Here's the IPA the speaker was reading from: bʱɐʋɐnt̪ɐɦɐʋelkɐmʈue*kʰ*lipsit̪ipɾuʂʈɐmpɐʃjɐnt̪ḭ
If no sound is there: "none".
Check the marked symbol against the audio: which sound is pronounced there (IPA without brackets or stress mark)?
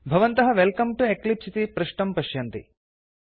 k